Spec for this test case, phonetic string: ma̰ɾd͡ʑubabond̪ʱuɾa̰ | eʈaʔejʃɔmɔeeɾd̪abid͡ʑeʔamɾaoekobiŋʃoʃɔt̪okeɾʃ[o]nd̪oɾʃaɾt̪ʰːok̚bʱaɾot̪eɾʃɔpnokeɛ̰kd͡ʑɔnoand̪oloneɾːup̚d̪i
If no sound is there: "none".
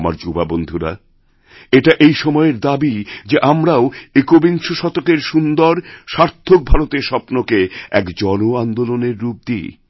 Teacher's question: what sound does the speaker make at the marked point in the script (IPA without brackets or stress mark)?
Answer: u